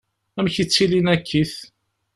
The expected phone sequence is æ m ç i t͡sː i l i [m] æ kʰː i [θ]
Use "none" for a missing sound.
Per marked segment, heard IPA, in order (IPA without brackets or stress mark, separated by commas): n, θ